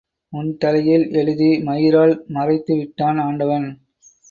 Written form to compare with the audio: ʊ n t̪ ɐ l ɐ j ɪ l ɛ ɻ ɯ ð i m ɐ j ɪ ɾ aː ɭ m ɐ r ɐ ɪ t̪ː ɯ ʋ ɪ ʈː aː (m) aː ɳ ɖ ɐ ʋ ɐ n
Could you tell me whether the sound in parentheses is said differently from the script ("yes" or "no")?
yes